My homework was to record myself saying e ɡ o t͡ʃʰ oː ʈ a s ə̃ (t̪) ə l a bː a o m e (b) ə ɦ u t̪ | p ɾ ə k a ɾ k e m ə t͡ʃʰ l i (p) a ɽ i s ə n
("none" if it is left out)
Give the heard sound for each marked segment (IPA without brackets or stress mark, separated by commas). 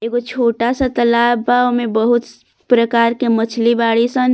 t̪, b, b